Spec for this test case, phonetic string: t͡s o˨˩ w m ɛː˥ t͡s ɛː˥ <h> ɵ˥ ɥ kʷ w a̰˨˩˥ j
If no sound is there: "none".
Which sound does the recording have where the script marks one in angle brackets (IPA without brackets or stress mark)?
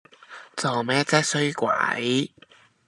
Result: s